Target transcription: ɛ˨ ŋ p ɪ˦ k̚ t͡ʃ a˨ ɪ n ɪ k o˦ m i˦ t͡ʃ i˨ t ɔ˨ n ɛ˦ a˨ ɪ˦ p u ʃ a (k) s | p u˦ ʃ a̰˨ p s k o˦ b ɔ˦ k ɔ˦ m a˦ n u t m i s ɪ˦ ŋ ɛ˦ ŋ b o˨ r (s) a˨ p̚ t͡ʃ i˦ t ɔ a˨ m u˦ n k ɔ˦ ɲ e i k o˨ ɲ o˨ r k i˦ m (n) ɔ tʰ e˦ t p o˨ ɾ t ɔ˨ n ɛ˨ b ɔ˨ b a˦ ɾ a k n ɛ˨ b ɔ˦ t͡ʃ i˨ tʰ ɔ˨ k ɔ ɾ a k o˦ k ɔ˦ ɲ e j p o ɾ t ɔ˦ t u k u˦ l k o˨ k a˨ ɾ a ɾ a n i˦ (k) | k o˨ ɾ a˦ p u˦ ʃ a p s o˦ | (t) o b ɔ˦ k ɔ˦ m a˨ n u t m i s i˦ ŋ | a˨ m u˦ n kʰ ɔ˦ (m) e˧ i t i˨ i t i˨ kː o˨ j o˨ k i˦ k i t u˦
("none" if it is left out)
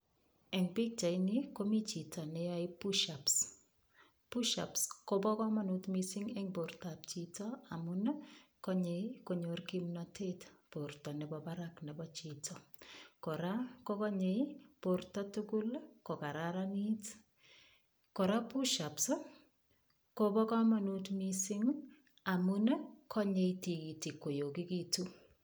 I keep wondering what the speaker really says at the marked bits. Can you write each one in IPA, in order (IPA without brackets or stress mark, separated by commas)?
p, t, n, t, k, ɲ